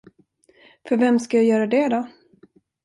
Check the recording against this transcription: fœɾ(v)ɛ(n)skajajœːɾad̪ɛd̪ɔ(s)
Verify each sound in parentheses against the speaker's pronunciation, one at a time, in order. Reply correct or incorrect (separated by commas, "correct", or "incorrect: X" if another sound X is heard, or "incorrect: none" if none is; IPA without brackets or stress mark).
correct, incorrect: m, incorrect: none